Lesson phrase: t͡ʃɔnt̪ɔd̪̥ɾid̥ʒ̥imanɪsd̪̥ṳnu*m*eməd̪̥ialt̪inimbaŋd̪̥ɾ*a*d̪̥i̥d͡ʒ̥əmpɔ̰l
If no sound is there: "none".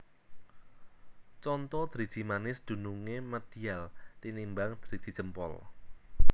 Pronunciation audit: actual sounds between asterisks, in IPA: ŋ, i

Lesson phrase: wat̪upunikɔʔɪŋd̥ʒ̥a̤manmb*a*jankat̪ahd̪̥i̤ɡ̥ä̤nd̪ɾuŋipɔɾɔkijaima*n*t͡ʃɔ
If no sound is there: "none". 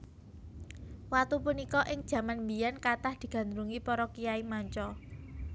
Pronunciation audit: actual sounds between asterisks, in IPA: i, ɲ

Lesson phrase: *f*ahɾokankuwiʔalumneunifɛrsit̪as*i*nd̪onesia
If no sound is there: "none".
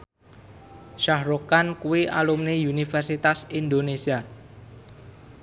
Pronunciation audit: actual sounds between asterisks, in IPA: ʃ, i

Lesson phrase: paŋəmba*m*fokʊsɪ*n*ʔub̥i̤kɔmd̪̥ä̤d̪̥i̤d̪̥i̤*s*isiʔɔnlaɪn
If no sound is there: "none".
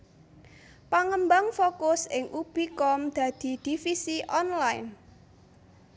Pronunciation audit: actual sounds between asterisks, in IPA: ŋ, ŋ, f

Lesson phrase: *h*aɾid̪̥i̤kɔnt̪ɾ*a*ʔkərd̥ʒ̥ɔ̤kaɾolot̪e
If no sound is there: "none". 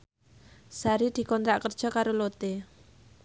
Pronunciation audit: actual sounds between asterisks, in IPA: s, a

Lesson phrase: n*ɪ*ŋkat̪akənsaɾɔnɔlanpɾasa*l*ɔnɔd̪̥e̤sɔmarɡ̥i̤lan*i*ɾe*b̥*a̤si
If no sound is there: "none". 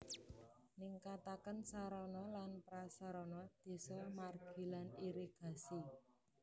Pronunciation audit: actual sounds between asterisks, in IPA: i, ɾ, i, ɡ̥

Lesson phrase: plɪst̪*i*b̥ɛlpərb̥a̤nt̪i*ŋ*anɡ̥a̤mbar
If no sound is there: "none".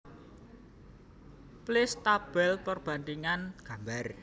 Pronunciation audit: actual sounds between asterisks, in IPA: a, ŋ

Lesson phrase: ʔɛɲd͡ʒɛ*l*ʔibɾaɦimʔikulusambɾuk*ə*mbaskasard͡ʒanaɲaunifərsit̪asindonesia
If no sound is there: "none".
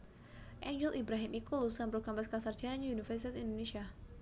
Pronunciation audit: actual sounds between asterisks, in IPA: l, a

